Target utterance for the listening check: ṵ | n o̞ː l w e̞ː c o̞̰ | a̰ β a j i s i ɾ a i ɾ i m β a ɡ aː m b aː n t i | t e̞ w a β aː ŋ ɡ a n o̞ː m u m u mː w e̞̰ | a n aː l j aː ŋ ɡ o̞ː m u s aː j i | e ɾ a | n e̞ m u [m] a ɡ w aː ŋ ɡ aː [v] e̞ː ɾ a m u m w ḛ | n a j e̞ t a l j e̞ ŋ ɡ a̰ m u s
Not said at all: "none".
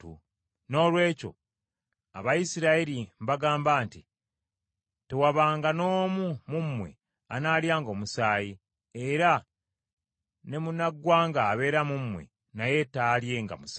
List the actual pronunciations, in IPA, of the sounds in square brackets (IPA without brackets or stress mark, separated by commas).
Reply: n, β